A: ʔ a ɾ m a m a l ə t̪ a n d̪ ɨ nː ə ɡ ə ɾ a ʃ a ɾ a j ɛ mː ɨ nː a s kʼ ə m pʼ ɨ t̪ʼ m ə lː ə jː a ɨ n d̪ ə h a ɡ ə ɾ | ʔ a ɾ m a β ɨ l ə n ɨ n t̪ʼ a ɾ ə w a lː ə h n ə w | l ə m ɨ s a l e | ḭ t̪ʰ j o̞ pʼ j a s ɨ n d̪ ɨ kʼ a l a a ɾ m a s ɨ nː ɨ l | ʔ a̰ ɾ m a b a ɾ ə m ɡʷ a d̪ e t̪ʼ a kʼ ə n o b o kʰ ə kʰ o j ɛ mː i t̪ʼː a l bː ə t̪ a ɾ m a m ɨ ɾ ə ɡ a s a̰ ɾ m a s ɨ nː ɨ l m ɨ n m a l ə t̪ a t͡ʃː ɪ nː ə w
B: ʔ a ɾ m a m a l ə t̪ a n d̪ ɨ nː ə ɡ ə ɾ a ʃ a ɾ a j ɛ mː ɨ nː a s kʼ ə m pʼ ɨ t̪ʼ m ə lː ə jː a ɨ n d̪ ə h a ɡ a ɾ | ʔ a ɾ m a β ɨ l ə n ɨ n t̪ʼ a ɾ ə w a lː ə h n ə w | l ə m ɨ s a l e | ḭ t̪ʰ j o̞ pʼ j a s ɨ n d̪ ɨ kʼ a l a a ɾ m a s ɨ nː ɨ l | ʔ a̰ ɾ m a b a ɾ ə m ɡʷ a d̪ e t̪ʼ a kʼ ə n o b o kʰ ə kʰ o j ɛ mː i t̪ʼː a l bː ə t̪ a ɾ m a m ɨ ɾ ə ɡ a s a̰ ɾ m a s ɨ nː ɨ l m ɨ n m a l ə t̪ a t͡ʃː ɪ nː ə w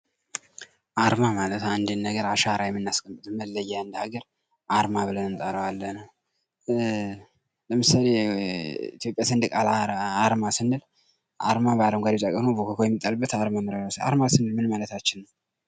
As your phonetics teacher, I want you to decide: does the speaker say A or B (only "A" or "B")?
A